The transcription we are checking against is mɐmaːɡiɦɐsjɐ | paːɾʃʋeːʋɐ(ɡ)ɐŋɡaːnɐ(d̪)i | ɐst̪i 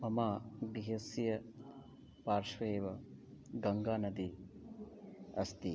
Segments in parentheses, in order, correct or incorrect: correct, correct

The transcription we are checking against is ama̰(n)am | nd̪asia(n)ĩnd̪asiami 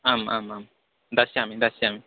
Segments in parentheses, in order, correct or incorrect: incorrect: m, incorrect: m

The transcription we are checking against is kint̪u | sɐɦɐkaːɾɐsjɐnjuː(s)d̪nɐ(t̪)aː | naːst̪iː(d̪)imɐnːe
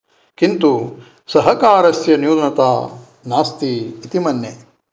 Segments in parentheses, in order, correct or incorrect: incorrect: none, correct, incorrect: t̪

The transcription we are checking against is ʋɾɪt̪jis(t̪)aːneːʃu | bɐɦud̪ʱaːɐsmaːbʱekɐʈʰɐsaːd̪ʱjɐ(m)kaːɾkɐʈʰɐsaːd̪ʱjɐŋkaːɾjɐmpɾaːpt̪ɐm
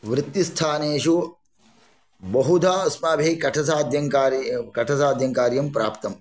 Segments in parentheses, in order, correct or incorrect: incorrect: t̪ʰ, incorrect: ŋ

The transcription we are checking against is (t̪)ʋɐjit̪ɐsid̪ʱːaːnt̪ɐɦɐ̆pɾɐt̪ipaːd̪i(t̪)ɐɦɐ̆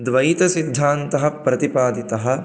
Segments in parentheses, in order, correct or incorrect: incorrect: d̪, correct

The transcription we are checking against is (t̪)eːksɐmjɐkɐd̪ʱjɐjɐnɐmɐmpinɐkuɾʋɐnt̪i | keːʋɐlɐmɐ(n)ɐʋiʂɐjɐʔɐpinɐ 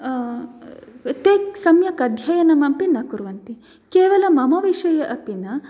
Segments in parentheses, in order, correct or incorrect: correct, incorrect: m

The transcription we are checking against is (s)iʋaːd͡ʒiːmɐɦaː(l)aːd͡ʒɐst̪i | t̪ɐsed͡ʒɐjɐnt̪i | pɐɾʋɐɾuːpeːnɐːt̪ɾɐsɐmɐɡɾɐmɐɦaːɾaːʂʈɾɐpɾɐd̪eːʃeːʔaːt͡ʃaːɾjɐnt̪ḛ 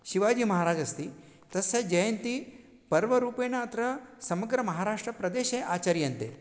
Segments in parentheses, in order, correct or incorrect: incorrect: ʃ, incorrect: ɾ

